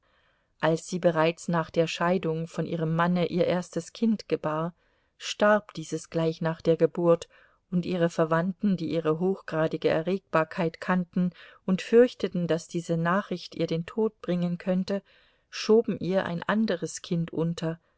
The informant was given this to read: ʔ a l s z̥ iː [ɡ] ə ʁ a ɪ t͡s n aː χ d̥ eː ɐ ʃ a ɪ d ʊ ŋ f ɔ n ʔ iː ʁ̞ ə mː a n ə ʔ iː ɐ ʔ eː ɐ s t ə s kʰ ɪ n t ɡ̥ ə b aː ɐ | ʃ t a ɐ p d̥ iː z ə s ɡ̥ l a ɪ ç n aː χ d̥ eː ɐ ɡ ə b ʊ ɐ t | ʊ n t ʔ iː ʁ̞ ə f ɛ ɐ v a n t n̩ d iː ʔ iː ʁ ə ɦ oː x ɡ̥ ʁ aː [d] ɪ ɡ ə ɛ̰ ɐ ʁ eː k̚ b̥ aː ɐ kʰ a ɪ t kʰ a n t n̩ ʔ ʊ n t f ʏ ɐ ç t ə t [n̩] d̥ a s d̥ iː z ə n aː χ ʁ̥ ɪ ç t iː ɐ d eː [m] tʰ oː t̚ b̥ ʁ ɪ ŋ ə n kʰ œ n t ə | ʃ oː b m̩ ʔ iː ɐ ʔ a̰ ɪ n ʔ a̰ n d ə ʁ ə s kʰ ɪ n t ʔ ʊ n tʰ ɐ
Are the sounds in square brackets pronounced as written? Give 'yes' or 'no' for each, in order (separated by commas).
no, yes, yes, no